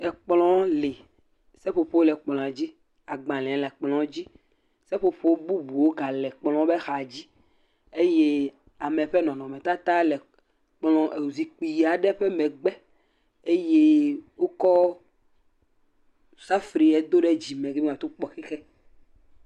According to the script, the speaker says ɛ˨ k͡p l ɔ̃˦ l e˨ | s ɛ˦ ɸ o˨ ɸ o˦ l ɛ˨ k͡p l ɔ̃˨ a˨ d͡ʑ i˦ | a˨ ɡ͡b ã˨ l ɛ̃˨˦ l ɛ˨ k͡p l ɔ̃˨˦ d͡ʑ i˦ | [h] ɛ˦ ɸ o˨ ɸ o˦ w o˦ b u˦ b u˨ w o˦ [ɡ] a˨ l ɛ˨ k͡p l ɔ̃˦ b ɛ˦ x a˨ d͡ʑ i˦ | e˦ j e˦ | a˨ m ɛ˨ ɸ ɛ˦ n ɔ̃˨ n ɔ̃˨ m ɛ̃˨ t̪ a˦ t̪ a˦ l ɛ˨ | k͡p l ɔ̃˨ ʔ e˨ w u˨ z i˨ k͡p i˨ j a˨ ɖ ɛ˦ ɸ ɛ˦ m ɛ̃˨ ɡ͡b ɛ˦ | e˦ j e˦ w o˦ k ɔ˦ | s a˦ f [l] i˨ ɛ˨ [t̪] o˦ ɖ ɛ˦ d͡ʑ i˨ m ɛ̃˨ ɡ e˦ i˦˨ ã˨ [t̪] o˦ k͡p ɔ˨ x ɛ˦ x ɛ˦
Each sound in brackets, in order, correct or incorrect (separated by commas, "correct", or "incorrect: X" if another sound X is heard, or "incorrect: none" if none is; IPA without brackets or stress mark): incorrect: s, correct, incorrect: ɾ, incorrect: d̪, correct